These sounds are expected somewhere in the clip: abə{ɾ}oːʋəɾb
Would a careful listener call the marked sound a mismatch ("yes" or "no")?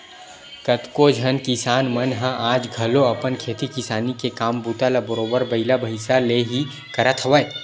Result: no